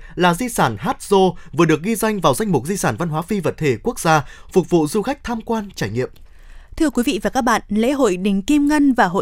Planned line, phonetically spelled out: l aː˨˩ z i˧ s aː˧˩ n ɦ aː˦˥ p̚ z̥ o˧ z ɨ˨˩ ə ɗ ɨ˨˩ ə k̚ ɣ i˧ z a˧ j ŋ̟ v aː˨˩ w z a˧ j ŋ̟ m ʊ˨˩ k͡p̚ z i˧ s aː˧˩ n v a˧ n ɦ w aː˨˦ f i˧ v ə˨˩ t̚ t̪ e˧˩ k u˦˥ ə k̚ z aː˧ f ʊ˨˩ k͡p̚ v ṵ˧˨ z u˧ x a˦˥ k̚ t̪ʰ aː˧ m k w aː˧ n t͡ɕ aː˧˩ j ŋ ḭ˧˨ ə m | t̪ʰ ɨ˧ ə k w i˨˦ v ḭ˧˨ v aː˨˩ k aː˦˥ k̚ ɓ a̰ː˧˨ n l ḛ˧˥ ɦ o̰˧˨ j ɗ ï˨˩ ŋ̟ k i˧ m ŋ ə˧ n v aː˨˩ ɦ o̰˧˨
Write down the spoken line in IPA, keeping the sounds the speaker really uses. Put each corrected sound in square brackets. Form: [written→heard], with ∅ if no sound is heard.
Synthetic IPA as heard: l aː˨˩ z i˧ s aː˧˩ n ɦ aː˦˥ [p̚→t̚] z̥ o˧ [z→v] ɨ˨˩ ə ɗ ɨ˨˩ ə k̚ ɣ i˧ z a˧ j ŋ̟ v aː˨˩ w z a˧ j ŋ̟ m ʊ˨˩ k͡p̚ z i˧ s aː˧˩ n v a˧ n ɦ w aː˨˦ f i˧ v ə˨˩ t̚ [t̪→t̪ʰ] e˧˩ k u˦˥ ə k̚ z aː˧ f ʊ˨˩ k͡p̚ v ṵ˧˨ z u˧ x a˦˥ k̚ t̪ʰ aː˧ m k w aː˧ n t͡ɕ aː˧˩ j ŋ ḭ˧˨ ə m | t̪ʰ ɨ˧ ə k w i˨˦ v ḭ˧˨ v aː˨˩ k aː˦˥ k̚ ɓ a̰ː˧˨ n l ḛ˧˥ ɦ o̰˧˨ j ɗ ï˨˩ ŋ̟ k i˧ m ŋ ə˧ n v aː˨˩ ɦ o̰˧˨